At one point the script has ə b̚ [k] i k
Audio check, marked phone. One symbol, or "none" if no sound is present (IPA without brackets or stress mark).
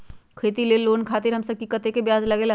k